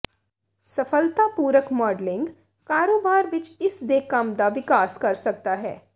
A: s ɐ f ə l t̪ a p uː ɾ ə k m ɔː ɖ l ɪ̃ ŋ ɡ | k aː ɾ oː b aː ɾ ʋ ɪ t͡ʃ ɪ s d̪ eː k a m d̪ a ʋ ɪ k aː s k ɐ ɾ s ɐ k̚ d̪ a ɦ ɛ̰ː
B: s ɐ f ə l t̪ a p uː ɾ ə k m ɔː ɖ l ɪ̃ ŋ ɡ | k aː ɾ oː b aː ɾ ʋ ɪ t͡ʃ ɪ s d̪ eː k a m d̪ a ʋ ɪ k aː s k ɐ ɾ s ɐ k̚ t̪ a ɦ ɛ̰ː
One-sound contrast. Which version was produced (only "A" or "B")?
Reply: B